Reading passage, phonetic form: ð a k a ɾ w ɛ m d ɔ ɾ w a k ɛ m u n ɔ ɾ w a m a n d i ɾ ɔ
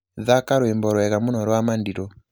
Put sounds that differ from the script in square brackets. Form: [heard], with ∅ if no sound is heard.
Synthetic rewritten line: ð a k a ɾ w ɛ m [b] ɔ ɾ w [ɛ] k [a] m u n ɔ ɾ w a m a n d i ɾ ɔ

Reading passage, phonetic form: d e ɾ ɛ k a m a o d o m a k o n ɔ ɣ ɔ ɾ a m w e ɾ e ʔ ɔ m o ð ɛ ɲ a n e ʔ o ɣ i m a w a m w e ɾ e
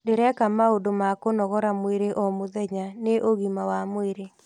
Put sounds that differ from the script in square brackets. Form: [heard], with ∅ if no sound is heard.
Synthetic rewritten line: d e ɾ ɛ k a m a o d o m a k o n ɔ ɣ ɔ ɾ a m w e ɾ e ʔ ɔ m o ð ɛ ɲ a n e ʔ o ɣ i m a w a m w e ɾ e

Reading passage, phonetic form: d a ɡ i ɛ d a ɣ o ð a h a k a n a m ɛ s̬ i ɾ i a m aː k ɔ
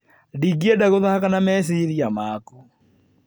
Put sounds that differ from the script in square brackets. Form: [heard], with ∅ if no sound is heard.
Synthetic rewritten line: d [i] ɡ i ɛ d a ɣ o ð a h a k a n a m ɛ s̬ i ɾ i a m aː k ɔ

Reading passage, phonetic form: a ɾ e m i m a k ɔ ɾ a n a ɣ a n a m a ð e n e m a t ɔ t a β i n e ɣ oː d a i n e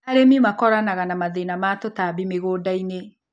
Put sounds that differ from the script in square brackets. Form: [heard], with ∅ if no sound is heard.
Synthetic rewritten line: a ɾ e m i m a k ɔ ɾ a n a ɣ a n a m a ð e n [a] m a t [o] t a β i [m] e ɣ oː d a i n e

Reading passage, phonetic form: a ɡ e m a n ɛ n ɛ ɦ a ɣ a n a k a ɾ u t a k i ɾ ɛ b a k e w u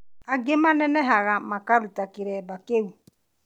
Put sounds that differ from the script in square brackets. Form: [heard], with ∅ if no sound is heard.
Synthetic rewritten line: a ɡ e m a n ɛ n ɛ ɦ a ɣ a [m] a k a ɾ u t a k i ɾ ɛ b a k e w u

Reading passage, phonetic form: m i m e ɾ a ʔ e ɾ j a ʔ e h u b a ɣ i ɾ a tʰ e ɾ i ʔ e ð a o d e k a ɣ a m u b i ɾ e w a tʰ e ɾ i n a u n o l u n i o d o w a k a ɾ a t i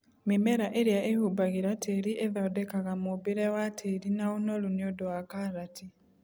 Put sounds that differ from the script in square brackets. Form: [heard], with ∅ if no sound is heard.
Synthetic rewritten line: m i m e ɾ a ʔ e ɾ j a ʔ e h u b a ɣ i ɾ a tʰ e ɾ i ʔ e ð a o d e k a ɣ a m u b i ɾ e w a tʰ e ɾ i n a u n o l u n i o d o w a k a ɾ a t i

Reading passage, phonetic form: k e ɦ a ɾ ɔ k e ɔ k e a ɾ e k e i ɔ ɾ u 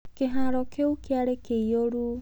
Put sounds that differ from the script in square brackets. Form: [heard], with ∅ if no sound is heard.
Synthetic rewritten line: k e ɦ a ɾ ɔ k e [u] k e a ɾ e k e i [o] ɾ u

